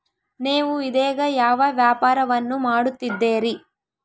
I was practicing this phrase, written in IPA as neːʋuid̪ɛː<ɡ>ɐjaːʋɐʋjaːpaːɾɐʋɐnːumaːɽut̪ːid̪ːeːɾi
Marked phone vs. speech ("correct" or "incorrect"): correct